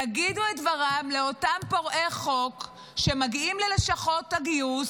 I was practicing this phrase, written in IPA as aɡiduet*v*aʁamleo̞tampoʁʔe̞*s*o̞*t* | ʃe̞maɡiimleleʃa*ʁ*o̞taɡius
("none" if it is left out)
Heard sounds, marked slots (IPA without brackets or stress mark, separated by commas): v, χ, k, χ